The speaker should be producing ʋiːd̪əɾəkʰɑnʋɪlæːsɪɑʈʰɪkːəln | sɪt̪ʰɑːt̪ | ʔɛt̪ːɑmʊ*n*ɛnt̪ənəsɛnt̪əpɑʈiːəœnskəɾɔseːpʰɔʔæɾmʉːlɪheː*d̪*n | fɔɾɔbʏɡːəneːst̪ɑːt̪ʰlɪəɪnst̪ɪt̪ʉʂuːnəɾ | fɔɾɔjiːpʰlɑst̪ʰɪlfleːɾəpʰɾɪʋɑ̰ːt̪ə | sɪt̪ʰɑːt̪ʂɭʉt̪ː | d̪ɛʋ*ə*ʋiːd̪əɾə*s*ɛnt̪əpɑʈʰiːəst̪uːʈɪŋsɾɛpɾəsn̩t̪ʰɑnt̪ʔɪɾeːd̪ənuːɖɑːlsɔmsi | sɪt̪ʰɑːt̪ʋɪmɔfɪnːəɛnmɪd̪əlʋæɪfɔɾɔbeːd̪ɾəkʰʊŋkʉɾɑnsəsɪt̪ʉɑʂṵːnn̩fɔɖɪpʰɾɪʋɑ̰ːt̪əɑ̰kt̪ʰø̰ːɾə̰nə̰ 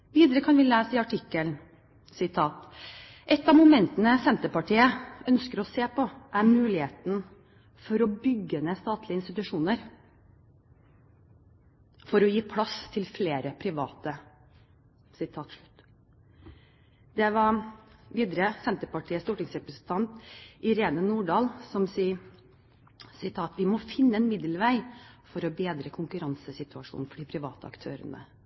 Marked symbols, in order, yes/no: no, no, no, yes

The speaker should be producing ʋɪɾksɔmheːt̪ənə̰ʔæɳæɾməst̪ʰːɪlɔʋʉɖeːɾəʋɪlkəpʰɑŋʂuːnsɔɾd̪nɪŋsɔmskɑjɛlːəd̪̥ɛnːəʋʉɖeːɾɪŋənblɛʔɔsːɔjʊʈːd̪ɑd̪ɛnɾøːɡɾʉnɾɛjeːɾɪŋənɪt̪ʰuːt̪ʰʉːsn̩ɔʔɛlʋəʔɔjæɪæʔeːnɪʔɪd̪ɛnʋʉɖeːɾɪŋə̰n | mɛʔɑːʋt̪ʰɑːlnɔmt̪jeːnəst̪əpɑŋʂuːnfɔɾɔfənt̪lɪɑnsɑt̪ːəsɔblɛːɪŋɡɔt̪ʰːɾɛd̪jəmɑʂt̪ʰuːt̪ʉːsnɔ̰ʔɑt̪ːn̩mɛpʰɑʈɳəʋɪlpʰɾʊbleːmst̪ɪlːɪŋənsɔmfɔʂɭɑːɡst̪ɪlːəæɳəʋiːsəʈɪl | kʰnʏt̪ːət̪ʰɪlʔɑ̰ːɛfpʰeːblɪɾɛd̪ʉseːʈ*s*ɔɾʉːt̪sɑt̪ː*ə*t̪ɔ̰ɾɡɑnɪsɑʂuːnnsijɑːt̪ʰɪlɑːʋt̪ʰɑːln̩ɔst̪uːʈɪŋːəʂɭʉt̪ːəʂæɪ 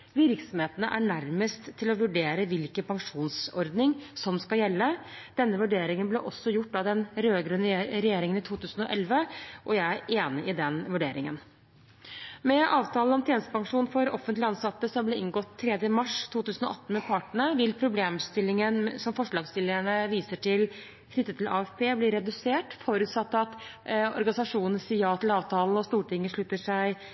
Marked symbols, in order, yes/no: no, no

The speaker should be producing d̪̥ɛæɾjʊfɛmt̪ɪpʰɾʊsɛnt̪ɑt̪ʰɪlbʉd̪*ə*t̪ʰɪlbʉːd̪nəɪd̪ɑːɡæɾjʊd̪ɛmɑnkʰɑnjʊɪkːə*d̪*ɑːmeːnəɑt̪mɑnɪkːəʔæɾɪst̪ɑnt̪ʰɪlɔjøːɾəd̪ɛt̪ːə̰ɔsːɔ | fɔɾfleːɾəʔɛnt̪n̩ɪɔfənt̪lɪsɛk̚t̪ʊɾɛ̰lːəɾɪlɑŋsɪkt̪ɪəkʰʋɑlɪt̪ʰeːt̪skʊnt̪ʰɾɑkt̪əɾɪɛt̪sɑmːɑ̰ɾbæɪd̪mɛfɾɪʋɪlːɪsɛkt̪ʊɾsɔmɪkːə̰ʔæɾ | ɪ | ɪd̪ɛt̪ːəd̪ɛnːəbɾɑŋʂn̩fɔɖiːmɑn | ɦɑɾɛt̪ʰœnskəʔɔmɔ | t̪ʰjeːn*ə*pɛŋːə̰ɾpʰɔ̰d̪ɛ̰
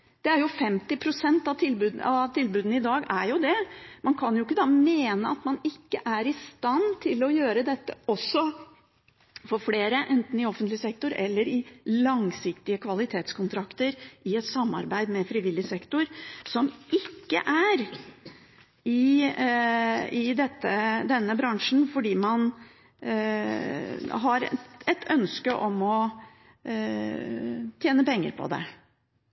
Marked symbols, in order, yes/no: no, yes, yes

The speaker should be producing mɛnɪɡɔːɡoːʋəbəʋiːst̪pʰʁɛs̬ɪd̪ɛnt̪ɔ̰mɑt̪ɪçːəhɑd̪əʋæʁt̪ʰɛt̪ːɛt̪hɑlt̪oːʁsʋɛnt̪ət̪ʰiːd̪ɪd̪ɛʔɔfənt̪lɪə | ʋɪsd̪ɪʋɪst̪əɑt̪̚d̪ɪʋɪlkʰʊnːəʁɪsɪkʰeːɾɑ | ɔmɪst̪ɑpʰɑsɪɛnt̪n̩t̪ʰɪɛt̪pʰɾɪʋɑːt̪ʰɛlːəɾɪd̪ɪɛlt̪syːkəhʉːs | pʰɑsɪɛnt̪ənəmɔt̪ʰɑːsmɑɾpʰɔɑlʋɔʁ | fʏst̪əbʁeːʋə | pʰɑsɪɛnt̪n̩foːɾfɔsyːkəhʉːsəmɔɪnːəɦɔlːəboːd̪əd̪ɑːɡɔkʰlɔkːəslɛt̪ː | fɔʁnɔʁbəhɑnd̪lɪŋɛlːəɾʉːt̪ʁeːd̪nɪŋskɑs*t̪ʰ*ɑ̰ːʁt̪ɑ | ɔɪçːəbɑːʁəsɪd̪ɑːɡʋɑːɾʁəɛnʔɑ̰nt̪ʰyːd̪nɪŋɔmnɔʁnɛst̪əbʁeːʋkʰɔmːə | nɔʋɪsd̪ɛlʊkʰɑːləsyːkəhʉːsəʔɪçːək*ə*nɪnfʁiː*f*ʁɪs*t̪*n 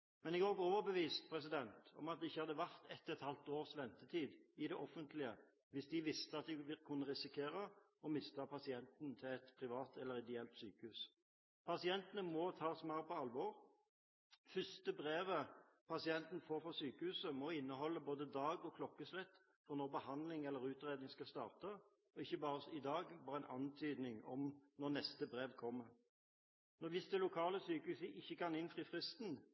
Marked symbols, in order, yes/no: no, no, yes, yes

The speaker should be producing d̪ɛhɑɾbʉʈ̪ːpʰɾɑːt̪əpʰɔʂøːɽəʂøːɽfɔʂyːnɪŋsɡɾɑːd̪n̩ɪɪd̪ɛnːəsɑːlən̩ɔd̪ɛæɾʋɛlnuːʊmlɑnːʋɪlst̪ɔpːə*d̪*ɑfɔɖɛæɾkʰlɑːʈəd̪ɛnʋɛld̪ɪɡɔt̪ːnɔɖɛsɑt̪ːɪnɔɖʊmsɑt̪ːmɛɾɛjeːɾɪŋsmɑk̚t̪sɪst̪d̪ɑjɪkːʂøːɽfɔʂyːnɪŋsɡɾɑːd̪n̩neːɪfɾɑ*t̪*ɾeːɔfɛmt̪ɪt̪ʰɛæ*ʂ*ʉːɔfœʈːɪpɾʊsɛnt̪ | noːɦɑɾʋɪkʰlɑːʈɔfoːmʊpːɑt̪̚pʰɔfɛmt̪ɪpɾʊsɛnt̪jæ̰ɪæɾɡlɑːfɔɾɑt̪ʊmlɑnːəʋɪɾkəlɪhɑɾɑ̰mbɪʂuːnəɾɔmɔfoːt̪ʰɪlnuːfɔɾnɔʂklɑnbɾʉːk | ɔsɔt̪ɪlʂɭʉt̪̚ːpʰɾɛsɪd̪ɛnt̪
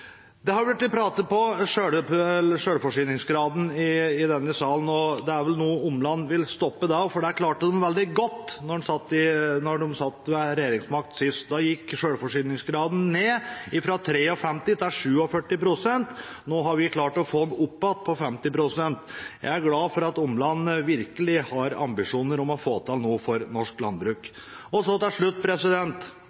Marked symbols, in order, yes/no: yes, no, yes

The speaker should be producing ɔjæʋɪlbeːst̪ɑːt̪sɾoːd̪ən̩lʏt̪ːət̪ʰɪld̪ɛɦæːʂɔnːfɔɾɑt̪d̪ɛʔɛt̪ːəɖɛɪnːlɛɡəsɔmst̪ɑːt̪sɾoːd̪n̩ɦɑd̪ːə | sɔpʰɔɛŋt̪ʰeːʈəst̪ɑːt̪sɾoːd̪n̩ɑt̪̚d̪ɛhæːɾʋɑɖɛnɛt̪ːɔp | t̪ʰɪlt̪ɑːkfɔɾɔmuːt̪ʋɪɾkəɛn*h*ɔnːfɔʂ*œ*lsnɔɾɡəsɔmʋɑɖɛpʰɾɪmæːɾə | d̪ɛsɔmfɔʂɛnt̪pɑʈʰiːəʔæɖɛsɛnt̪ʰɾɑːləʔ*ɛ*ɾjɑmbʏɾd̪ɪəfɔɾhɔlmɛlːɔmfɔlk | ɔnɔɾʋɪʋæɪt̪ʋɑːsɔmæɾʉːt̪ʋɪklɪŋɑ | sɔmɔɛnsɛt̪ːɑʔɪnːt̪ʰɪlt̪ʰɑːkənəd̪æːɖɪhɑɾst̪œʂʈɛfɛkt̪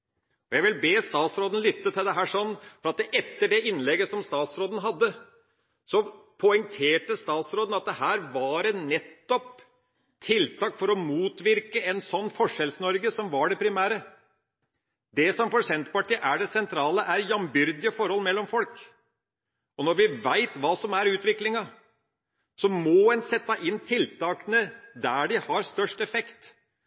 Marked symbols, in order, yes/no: no, no, no

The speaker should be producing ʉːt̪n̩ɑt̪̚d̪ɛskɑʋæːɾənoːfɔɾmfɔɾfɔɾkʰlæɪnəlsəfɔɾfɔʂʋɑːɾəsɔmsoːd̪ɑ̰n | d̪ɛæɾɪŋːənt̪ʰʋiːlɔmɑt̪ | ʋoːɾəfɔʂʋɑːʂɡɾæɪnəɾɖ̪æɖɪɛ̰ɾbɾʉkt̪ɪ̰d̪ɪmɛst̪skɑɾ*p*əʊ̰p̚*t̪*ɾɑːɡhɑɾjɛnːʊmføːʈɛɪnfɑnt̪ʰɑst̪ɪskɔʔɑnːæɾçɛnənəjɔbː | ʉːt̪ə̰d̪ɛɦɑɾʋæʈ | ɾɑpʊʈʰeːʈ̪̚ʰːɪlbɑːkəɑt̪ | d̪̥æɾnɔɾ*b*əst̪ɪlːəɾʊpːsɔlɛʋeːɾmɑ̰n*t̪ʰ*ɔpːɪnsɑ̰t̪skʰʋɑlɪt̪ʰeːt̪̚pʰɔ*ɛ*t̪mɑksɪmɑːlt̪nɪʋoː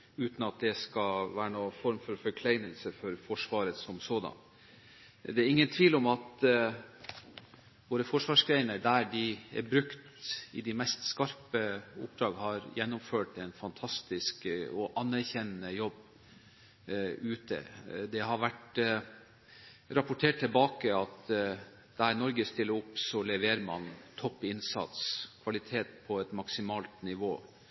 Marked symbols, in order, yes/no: yes, no, no, yes, yes

